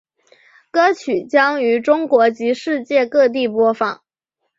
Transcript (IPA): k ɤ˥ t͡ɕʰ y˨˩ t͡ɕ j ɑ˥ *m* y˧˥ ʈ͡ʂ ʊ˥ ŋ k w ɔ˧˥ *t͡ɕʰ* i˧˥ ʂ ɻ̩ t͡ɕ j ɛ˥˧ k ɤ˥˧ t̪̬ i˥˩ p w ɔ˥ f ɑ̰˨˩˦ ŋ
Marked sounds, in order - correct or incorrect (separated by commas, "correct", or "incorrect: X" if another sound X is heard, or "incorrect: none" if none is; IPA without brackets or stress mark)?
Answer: incorrect: ŋ, incorrect: t͡ɕ